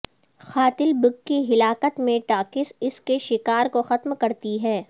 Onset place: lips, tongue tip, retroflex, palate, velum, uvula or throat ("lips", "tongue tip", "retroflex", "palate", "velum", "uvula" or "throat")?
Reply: velum